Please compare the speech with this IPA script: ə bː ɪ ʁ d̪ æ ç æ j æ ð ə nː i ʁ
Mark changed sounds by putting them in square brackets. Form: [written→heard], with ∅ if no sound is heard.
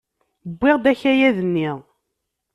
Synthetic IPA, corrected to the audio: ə bː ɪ ʁ d̪ æ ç æ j æ ð ə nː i ʁ